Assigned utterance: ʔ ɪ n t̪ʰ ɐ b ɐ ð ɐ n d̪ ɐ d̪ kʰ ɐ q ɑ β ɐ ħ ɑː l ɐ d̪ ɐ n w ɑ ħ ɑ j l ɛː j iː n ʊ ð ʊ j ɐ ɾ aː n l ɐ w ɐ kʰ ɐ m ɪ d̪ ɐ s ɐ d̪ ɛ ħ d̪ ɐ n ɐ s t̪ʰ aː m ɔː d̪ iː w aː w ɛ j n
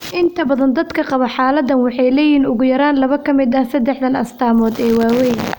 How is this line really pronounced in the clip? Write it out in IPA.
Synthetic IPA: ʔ ɪ n t̪ʰ ɐ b ɐ ð ɐ n d̪ ɐ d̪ kʰ ɐ q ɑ β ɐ ħ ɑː l ɐ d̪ ɐ n w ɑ ħ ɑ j l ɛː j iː n ʊ ɣ ʊ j ɐ ɾ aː n l ɐ β ɐ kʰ ɐ m ɪ d̪ ɐ s ɐ d̪ ɛ ħ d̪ ɐ n ɐ s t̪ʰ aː m ɔː d̪ ɛː w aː w ɛ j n